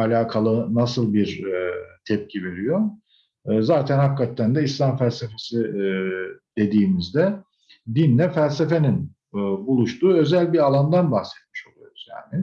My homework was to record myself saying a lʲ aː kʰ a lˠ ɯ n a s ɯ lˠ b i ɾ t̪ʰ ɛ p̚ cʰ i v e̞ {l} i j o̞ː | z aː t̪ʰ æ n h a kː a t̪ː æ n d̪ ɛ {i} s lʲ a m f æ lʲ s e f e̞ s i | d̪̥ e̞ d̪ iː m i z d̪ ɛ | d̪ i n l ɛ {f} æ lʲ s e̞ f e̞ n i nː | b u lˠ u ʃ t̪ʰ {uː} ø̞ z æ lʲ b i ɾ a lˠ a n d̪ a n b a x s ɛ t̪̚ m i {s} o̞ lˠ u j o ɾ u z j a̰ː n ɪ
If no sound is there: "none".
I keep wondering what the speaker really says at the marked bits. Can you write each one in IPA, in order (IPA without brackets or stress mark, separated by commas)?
ɾ, i, f, uː, ʃ